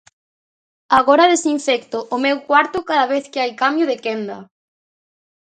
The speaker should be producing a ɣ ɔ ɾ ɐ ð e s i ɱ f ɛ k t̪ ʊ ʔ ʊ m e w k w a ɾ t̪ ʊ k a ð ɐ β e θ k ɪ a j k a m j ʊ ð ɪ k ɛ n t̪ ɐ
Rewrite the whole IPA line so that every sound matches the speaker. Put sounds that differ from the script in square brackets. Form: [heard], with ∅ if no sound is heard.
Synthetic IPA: a ɣ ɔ ɾ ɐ ð e s i ɱ f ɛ k t̪ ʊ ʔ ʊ m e w k w a ɾ t̪ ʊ k a ð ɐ β e θ k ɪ a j k a m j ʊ ð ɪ k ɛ n [d̪] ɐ